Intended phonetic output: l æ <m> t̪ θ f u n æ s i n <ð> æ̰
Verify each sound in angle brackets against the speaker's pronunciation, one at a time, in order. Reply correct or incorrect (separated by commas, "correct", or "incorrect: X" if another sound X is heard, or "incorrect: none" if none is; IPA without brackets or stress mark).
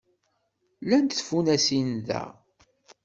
incorrect: n, correct